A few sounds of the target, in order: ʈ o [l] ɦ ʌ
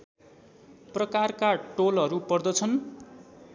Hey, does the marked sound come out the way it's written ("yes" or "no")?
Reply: yes